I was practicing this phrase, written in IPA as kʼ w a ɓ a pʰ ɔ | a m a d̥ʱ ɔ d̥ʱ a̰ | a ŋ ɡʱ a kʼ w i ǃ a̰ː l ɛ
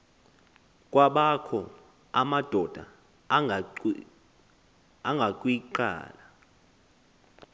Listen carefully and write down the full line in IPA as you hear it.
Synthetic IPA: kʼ w a ɓ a kʰ ɔ | a m a d̥ʱ ɔ d̥ʱ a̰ | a ŋ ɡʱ a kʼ w i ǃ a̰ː l a